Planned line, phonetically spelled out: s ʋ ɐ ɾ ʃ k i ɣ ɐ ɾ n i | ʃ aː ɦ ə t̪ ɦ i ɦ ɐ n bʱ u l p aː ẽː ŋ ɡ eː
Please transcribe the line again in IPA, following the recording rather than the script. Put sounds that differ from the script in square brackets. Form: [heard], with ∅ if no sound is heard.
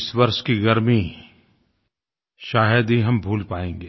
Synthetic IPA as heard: s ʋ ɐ ɾ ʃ k i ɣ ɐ ɾ [m] i | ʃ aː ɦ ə [d̪] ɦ i ɦ ɐ [m] bʱ [uː] l p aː ẽː ŋ ɡ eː